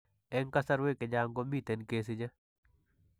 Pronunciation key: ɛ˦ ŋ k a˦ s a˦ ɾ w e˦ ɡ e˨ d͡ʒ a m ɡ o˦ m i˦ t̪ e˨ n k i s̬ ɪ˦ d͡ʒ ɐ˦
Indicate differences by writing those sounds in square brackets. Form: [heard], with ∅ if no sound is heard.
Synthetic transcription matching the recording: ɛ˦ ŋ k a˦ s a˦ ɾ w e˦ [k] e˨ d͡ʒ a [ŋ] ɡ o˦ m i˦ t̪ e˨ n k [e] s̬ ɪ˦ d͡ʒ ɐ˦

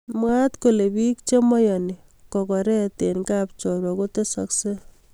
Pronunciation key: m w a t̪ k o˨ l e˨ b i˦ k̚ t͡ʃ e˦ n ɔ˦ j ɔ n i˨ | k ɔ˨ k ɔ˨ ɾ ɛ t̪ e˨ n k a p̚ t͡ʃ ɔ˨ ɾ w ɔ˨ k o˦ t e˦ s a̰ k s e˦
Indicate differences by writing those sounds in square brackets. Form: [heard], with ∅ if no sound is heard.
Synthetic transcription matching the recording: m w a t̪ k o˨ l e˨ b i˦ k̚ t͡ʃ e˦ [m] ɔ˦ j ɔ n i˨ | k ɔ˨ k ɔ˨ ɾ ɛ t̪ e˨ n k a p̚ t͡ʃ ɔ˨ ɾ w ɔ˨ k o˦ t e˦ s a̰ k s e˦

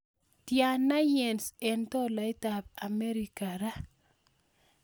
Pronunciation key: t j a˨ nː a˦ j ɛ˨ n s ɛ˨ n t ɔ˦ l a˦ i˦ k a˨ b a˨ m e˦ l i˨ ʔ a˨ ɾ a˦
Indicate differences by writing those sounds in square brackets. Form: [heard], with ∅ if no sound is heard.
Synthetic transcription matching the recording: t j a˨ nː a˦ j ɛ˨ n s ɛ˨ n t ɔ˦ l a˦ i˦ [t] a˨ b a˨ m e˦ [ɾ] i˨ [k] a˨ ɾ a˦

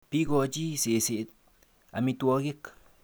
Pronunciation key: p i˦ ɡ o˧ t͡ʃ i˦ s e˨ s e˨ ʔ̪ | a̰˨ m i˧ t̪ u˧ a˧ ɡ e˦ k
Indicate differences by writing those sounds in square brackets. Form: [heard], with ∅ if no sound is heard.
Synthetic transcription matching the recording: p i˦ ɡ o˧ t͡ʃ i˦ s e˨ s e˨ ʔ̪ | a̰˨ m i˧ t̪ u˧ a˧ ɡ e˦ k

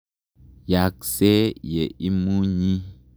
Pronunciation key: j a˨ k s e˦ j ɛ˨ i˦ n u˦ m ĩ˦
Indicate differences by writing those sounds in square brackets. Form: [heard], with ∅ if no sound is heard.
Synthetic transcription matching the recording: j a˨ k s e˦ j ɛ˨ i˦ [m] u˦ [ɲ] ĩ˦

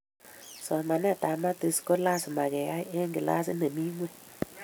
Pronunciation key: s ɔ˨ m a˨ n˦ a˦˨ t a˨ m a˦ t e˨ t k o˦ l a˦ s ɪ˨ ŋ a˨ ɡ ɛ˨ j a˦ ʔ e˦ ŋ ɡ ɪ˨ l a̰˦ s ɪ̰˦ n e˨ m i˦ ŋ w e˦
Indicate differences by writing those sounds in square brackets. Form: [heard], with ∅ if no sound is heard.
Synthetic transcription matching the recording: s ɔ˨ m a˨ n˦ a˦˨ t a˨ m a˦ t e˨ [s] k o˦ l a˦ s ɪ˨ [m] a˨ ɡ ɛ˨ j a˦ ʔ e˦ ŋ ɡ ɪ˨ l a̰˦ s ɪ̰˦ n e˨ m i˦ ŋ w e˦

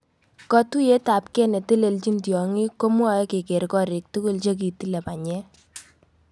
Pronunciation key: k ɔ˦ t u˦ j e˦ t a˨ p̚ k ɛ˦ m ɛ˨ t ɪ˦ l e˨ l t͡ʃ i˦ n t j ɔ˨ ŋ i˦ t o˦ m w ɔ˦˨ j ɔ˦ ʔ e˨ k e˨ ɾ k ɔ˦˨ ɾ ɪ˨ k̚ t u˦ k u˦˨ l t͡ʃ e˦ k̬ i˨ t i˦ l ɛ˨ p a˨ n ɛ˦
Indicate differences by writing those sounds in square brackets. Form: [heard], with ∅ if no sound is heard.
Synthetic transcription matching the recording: k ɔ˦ t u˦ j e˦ t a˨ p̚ k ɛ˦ [n] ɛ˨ t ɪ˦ l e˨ l t͡ʃ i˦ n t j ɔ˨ ŋ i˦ [k] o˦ m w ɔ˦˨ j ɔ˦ [k] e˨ k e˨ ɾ k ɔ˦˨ ɾ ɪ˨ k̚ t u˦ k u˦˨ l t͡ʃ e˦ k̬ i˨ t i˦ l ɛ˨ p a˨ [ɲ] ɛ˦

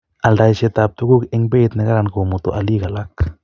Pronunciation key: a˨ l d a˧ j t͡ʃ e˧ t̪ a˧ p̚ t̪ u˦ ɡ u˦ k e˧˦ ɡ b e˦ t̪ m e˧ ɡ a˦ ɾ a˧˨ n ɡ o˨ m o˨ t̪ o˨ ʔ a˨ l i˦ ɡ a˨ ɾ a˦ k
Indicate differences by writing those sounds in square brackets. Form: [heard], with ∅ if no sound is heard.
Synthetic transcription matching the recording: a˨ l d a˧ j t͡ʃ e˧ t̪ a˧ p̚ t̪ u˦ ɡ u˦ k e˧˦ [ŋ] b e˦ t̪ [n] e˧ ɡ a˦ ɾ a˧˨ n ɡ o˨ m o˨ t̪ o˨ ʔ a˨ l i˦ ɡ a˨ [l] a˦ k

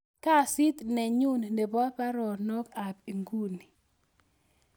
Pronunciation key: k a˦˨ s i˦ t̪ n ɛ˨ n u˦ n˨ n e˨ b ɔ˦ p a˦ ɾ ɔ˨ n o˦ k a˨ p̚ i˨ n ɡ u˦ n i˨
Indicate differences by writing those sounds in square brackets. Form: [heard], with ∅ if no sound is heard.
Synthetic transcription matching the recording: k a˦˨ s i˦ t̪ n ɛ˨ [ɲ] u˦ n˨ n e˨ b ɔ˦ p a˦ ɾ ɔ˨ n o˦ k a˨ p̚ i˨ [ŋ] ɡ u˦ n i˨

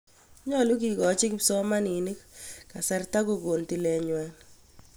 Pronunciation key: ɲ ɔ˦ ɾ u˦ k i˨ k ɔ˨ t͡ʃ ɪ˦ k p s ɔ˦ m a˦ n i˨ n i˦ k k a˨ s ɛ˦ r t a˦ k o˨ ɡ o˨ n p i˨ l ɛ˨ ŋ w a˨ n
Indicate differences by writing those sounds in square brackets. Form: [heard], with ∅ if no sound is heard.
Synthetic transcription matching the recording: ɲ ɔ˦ [l] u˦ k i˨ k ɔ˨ t͡ʃ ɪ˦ k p s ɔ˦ m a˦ n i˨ n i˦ k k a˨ s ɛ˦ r t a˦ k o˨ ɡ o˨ n [t] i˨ l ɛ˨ [ɲ] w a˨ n

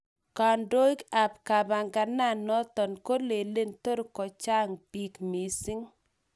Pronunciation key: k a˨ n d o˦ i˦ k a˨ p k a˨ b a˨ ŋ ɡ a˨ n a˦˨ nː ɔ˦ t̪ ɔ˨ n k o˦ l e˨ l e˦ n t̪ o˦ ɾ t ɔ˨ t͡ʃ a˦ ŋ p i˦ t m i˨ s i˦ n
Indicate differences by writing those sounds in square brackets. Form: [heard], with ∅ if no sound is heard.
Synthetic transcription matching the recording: k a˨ n d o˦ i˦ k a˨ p k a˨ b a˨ ŋ ɡ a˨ n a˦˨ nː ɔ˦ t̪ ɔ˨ n k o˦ l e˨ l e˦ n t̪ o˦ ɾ [k] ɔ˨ t͡ʃ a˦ ŋ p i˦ [k] m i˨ s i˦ [ŋ]

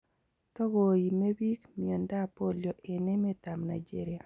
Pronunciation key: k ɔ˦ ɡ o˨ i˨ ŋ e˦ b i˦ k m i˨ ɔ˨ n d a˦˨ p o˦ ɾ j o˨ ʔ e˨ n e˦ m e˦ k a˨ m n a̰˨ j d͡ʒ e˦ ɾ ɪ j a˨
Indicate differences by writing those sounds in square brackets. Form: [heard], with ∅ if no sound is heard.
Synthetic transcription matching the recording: [t] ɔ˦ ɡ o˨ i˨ [m] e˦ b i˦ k m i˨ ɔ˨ n d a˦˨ p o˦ [l] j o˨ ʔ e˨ n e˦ m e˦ [t] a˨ m n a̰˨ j d͡ʒ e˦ ɾ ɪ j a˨

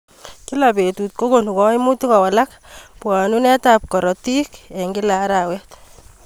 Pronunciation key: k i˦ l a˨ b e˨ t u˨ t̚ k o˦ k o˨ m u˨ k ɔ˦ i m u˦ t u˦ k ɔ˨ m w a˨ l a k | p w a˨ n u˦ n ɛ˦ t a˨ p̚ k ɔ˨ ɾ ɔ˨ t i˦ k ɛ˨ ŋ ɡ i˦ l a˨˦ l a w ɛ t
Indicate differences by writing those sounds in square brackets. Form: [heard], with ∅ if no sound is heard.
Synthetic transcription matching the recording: k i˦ l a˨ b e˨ t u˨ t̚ k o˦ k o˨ [n] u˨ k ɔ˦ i m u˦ t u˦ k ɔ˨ [∅] w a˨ l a k | p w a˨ n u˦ n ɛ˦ t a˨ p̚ k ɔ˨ ɾ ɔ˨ t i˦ k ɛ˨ ŋ ɡ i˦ l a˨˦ [ɾ] a w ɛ t

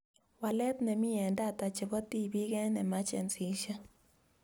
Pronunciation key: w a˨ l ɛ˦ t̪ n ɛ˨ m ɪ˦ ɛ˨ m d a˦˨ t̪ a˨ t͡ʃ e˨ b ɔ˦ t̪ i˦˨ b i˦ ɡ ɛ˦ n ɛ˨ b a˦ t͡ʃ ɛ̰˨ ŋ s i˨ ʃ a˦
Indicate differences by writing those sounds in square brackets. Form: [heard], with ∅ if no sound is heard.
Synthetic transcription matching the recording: w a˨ l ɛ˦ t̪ n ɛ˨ m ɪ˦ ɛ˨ [n] d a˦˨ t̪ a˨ t͡ʃ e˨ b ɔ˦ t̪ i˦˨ b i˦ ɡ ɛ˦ n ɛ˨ [m] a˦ t͡ʃ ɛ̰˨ [n] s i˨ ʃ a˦

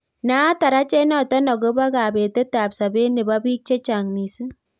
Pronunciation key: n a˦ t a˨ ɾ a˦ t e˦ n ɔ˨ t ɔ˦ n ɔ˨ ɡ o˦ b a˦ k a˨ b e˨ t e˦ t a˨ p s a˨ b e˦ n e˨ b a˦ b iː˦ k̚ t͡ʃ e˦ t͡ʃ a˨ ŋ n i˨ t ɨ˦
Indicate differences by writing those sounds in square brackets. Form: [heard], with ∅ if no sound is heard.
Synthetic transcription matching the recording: n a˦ t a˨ ɾ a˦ [t͡ʃ] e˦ n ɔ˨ t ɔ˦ n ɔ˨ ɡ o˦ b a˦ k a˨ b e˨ t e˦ t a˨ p s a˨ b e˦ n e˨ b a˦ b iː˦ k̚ t͡ʃ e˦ t͡ʃ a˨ ŋ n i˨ [s] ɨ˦

